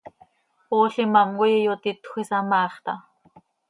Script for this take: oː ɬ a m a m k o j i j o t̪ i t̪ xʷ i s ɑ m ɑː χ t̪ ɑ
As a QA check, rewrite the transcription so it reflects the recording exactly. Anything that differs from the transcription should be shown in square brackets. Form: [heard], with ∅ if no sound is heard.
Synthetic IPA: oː ɬ [i] m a m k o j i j o t̪ i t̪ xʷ i s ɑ m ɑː χ t̪ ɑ